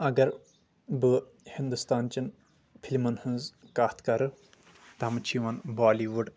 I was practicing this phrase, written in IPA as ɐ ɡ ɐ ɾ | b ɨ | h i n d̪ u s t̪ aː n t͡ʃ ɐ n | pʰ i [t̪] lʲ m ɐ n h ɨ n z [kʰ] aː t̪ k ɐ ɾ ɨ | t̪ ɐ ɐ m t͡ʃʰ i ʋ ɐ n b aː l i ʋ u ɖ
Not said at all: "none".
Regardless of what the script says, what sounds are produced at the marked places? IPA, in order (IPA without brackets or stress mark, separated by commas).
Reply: none, k